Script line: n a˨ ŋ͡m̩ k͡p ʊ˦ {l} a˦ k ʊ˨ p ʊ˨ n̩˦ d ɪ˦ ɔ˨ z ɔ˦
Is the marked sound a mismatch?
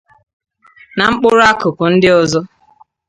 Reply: yes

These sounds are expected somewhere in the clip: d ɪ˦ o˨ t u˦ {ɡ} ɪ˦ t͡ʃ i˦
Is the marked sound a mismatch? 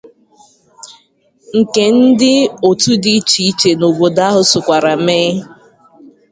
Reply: yes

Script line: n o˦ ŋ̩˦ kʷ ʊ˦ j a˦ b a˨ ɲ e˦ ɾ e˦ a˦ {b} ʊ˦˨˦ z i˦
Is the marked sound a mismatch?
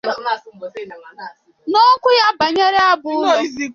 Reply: no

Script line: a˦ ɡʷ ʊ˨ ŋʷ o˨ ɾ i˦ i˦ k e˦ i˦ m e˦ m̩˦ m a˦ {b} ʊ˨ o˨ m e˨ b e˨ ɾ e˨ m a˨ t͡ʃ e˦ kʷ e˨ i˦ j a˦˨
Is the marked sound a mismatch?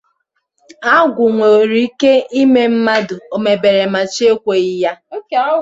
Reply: yes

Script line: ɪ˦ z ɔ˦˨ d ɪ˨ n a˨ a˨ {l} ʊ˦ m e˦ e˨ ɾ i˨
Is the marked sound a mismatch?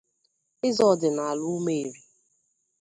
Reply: no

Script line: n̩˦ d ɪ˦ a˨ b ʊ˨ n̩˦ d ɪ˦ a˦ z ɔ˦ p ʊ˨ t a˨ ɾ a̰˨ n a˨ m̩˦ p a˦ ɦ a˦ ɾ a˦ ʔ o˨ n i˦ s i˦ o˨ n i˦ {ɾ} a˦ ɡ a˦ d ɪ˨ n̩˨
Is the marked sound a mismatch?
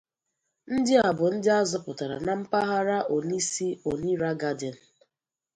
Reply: no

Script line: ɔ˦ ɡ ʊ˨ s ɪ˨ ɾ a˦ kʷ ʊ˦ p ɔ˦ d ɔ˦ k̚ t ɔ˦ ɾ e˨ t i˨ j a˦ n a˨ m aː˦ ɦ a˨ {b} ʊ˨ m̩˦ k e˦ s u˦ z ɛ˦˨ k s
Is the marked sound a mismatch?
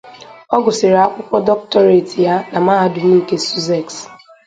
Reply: yes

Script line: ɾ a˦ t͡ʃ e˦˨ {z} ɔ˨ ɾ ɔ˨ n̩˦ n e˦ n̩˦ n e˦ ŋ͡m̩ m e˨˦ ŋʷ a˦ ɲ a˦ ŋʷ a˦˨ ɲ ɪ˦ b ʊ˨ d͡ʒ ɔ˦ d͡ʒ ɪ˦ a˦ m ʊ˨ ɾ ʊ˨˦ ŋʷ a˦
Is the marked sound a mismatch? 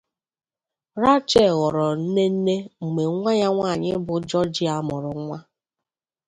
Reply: yes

